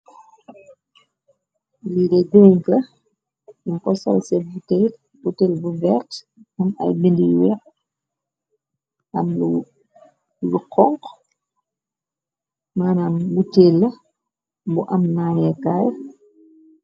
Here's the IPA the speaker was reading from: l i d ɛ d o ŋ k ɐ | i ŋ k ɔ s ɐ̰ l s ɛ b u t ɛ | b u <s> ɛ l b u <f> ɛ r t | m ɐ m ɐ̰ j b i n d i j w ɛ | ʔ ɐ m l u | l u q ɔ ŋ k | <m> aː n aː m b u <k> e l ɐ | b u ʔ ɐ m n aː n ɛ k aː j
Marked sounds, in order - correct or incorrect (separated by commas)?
incorrect, incorrect, correct, incorrect